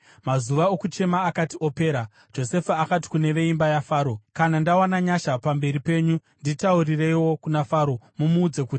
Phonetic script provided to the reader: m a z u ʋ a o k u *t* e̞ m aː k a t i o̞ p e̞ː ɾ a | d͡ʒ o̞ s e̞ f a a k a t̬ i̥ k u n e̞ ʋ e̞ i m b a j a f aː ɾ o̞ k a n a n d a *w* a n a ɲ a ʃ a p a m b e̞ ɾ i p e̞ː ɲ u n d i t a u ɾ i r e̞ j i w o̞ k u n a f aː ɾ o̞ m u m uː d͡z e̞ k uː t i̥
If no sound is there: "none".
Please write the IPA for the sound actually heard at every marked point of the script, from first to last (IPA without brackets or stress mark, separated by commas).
t͡ʃ, w